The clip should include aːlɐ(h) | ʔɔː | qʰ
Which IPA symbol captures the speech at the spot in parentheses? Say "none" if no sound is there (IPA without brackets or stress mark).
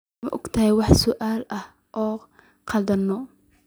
h